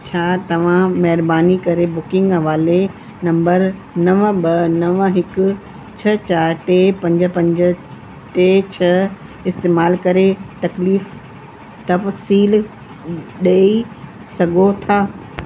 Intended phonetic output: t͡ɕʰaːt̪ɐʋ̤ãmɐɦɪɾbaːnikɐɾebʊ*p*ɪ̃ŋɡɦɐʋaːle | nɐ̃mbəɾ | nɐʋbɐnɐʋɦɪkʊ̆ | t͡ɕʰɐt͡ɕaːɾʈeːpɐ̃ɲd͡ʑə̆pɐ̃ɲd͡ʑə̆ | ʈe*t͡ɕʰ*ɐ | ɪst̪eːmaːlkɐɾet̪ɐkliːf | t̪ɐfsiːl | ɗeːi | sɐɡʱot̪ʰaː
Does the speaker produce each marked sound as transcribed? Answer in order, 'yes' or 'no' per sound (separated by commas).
no, yes